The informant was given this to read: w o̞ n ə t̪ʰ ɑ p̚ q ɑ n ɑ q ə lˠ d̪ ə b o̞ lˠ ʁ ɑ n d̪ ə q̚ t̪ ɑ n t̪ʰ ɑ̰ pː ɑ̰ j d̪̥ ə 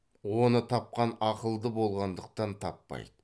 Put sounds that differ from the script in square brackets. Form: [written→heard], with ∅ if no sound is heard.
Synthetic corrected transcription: w o̞ n ə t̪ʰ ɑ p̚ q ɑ n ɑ q ə lˠ d̪ ə b o̞ lˠ ʁ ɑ n d̪ ə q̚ t̪ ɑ n t̪ʰ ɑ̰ pː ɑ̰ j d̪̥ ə